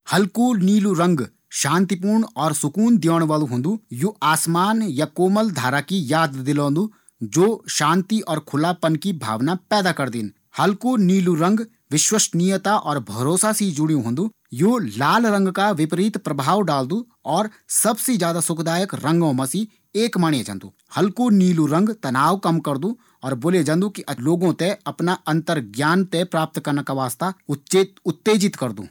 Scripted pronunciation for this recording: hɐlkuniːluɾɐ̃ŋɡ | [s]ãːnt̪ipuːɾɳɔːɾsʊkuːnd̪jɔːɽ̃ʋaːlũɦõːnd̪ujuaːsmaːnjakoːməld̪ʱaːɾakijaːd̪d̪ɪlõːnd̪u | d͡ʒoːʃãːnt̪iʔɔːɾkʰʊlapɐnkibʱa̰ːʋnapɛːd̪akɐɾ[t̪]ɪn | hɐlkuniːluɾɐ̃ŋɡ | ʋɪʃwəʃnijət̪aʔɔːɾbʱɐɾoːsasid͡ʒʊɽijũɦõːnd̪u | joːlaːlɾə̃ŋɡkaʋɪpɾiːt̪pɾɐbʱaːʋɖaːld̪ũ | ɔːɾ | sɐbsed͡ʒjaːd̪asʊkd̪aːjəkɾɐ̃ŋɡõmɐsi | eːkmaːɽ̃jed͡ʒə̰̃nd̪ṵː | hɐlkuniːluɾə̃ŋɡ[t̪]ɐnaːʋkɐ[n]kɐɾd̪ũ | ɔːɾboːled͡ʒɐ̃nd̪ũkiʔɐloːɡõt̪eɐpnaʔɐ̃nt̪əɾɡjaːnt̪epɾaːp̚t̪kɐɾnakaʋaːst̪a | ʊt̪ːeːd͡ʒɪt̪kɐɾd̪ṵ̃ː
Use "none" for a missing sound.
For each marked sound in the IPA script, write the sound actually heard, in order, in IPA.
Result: ʃ, d̪, t̪, m

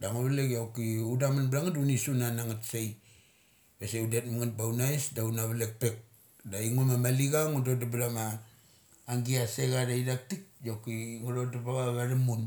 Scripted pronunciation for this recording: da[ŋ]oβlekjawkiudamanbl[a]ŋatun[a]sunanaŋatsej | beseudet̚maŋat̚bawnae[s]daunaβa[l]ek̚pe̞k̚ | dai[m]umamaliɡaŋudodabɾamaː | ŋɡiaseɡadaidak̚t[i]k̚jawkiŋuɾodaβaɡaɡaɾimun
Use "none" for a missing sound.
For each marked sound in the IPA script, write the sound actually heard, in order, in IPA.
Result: ŋ, a, i, s, l, ŋ, i

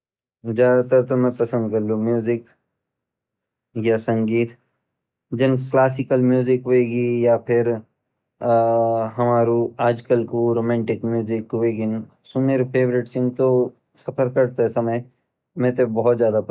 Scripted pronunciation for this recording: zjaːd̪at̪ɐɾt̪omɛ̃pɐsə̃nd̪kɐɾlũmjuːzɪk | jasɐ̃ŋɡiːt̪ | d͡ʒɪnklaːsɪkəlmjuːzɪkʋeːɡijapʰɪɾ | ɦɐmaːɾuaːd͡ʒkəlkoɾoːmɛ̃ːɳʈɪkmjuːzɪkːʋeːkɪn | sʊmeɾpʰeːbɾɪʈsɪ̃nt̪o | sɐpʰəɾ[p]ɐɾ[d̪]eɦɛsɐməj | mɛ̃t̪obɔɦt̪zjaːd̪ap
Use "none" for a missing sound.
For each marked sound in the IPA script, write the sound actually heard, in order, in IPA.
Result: k, t̪

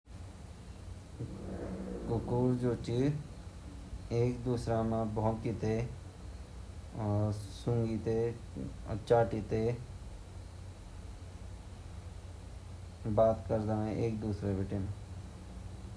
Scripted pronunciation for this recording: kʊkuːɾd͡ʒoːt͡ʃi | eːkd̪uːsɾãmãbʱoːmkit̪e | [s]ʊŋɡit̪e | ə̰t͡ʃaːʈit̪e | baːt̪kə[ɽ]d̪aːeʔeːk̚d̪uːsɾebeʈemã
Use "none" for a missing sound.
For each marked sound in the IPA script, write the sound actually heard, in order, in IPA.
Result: s, ɾ

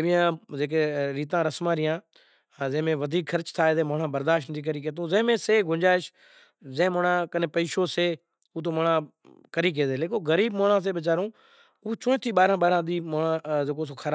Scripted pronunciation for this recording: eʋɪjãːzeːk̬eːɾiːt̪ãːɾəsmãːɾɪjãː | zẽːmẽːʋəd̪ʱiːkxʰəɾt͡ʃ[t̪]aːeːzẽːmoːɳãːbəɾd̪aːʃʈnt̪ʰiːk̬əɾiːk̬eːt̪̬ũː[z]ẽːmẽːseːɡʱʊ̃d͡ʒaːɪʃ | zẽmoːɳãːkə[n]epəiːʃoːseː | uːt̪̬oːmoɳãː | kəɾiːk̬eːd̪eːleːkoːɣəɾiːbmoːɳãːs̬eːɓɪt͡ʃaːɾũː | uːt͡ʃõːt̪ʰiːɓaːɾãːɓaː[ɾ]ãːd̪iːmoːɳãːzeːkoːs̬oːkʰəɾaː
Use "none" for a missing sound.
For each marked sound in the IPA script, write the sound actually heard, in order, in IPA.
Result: t̪ʰ, z, n, ɾ

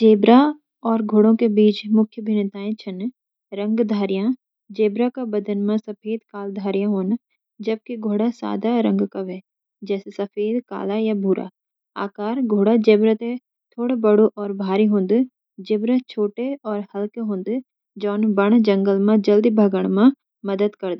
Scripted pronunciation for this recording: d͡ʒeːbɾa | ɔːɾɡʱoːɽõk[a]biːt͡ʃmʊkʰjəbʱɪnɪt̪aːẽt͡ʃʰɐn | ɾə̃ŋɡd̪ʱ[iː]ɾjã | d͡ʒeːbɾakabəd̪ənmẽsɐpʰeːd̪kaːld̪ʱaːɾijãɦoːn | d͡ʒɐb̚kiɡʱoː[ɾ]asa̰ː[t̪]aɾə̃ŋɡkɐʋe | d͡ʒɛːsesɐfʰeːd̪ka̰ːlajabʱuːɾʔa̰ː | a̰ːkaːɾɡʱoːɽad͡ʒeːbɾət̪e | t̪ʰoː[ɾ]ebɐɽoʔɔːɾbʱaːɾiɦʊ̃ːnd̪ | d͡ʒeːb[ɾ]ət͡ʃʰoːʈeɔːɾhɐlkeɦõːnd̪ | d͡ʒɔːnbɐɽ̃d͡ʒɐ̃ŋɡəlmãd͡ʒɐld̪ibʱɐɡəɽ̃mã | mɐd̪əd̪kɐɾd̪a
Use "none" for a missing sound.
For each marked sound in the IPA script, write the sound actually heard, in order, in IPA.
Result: e, aː, ɽ, d̪, ɽ, ɾ

